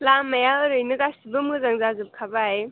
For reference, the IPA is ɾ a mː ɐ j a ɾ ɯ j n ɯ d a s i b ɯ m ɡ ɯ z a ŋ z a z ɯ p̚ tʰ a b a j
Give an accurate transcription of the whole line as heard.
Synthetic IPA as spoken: l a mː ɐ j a ɾ ɯ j n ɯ ɡ a s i b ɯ m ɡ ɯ z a ŋ z a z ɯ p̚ kʰ a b a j